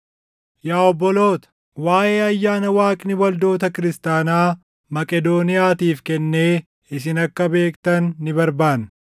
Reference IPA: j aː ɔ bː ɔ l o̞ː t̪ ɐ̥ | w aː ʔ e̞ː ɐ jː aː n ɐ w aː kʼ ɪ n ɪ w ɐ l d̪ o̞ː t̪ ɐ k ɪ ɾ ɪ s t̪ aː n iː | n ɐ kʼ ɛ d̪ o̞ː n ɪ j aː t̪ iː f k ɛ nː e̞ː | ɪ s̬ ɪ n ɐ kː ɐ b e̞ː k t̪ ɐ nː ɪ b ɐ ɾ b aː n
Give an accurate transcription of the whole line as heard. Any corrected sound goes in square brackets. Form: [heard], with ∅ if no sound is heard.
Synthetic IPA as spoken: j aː ɔ bː ɔ l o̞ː t̪ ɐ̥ | w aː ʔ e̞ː ɐ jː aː n ɐ w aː kʼ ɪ n ɪ w ɐ l d̪ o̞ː t̪ ɐ k ɪ ɾ ɪ s t̪ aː n [aː] | [m] ɐ kʼ ɛ d̪ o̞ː n ɪ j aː t̪ iː f k ɛ nː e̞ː | ɪ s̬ ɪ n ɐ kː ɐ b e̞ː k t̪ ɐ nː ɪ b ɐ ɾ b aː n